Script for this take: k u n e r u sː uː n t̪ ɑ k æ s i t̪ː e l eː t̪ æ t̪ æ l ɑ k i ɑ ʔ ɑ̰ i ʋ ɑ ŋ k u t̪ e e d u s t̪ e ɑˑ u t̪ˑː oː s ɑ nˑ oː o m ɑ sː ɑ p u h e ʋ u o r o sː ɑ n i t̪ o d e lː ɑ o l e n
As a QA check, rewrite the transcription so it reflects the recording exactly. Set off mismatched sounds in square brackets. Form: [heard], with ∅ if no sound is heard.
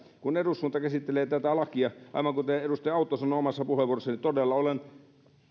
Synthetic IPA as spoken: k u n e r u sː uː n t̪ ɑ k æ s i t̪ː e l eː t̪ æ t̪ æ l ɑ k i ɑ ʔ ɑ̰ i ʋ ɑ ŋ k u t̪ e e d u s t̪ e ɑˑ u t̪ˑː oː s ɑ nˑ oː o m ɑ sː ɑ p u h e ʋ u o r o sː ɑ n i t̪ o d e lː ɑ o l e n